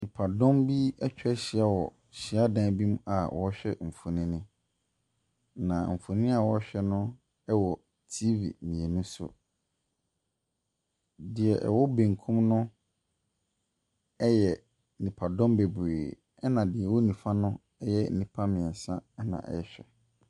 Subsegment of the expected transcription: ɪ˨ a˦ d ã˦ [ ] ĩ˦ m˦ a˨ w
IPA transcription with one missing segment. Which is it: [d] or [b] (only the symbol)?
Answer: b